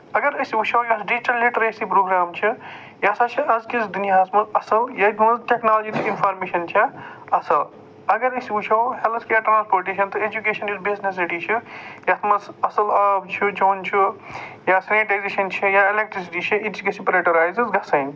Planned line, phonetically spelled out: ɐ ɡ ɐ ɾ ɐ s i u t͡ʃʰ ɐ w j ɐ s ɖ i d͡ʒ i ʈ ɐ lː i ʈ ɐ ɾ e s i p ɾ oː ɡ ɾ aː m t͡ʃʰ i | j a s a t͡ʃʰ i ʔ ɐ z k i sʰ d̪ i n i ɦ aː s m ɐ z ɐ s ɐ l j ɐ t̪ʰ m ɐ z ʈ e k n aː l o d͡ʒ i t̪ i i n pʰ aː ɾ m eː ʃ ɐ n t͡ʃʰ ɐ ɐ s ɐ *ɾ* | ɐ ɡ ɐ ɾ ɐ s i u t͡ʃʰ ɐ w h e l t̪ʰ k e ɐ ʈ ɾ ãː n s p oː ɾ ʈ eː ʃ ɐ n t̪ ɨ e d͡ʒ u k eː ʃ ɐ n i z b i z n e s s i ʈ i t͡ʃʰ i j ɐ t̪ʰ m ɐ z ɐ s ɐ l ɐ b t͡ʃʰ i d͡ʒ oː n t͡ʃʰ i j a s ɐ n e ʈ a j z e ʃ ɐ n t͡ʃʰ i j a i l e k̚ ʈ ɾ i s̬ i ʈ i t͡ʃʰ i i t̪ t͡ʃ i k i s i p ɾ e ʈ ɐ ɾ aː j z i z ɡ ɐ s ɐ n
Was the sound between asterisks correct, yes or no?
no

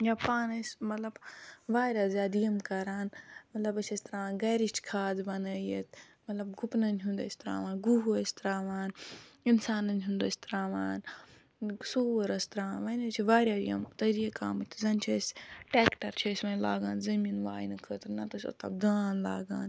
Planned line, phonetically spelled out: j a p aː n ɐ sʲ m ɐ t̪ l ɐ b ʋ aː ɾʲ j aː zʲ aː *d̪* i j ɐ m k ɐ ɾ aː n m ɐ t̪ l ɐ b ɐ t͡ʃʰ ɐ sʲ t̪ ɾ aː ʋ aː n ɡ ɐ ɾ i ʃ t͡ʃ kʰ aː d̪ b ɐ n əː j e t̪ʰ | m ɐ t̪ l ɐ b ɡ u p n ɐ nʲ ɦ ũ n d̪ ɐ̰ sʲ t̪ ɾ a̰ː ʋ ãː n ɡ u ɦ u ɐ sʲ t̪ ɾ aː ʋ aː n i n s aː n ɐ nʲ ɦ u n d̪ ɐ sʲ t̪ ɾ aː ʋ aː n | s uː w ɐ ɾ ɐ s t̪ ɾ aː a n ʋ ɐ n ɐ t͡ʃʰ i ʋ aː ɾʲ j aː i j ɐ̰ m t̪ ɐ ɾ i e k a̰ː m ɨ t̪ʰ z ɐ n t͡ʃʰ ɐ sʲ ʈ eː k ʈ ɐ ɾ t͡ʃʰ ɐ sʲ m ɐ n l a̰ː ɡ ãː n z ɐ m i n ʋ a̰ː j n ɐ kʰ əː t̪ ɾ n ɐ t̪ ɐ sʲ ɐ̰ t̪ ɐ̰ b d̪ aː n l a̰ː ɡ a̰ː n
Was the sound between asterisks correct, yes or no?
yes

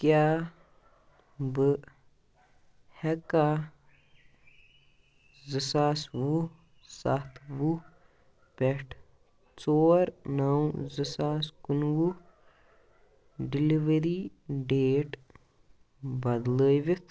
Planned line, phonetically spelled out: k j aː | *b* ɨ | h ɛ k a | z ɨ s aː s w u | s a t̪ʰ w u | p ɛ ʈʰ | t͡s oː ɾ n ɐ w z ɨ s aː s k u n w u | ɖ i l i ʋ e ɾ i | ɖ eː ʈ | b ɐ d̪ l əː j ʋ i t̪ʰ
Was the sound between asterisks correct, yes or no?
yes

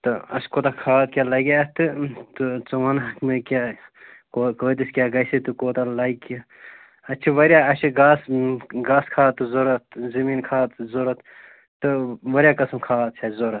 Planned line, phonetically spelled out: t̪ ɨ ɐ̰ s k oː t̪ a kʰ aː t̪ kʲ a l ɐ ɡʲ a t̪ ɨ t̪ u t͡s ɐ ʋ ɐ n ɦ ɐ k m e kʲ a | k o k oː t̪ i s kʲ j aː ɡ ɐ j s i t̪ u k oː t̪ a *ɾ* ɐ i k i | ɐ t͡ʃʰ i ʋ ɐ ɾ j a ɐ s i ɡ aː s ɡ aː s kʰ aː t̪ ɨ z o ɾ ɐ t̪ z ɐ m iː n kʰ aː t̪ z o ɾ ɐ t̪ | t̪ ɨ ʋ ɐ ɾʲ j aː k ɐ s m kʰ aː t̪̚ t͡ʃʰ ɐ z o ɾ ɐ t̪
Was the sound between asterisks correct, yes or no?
no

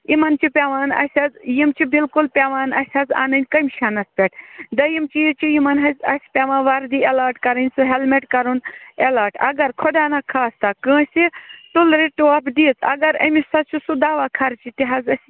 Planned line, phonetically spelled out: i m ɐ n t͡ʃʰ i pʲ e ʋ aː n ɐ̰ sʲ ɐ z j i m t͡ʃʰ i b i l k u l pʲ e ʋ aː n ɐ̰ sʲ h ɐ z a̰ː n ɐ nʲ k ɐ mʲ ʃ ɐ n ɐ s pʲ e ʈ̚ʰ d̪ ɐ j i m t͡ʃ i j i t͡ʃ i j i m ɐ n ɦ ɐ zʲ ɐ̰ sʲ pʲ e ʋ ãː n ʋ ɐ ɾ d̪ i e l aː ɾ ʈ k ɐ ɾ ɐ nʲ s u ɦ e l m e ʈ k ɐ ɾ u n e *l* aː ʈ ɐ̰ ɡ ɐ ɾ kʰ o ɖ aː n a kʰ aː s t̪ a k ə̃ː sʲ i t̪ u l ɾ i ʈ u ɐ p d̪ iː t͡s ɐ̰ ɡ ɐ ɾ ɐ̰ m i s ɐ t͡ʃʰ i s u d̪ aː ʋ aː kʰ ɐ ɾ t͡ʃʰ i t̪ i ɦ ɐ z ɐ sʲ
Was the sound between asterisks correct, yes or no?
yes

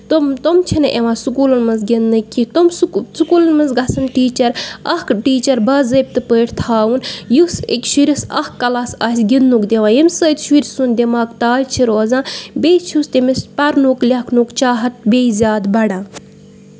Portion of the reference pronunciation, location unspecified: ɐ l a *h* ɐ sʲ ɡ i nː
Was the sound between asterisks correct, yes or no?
no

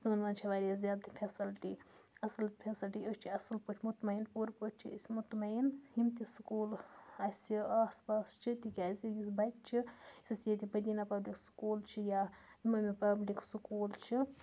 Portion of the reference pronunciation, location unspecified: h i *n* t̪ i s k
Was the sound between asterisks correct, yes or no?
no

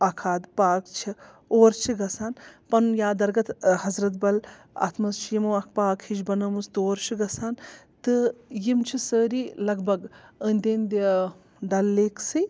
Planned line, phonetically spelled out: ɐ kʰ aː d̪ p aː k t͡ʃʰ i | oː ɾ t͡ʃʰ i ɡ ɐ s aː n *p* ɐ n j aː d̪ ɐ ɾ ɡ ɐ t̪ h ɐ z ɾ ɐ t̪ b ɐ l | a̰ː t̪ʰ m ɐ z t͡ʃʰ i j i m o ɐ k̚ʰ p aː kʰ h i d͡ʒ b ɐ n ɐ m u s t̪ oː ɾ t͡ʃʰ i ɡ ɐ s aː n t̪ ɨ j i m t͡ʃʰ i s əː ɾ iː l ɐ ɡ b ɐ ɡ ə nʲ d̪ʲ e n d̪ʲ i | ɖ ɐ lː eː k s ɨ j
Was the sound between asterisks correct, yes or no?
yes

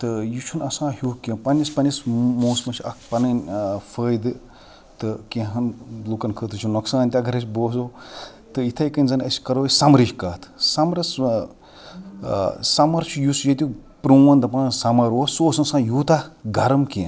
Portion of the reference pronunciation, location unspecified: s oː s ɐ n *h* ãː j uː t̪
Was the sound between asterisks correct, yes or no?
no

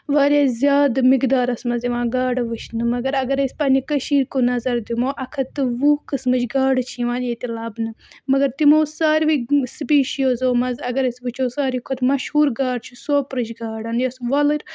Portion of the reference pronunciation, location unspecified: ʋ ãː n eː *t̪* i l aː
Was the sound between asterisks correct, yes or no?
yes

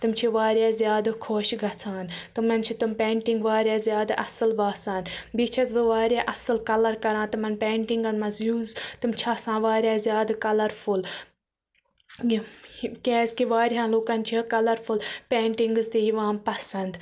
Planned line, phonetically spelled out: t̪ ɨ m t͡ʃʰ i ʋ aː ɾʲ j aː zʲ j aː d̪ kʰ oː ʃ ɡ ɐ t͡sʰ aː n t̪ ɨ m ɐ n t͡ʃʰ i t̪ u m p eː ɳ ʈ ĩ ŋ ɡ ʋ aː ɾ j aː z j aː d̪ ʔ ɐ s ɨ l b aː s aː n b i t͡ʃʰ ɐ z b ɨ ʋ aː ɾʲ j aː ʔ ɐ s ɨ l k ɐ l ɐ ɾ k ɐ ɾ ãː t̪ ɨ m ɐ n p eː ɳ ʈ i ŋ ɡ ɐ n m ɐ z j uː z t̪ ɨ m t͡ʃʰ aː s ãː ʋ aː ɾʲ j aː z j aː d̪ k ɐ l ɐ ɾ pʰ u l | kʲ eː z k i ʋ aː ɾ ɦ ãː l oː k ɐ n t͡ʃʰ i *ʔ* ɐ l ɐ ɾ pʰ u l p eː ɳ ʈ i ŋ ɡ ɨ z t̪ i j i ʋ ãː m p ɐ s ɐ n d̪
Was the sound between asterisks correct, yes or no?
no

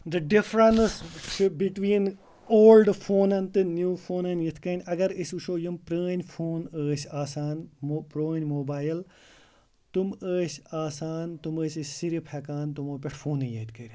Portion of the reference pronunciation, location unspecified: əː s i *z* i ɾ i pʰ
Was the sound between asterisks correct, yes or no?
no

